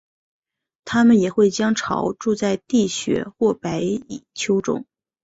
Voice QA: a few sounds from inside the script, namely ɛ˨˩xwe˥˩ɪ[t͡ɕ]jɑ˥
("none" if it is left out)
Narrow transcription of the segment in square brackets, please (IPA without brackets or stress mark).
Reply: t͡ɕ